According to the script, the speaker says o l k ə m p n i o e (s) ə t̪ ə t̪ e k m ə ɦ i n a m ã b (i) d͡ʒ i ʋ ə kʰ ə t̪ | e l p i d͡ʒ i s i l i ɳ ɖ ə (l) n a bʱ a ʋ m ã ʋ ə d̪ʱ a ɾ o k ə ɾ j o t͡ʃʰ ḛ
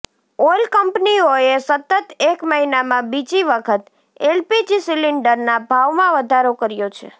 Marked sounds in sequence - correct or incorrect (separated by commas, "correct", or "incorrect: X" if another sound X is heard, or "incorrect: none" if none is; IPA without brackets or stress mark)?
correct, correct, incorrect: ɾ